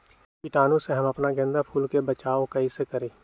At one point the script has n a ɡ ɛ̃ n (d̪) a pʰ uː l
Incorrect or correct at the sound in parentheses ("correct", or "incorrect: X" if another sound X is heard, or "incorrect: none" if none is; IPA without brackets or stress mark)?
correct